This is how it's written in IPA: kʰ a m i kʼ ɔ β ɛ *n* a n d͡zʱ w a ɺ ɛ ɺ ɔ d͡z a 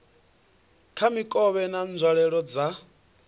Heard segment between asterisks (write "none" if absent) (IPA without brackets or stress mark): n